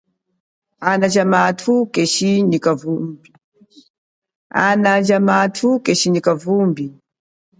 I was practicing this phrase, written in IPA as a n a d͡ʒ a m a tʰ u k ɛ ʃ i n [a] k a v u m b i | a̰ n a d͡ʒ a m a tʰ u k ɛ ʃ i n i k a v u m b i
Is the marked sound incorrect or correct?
incorrect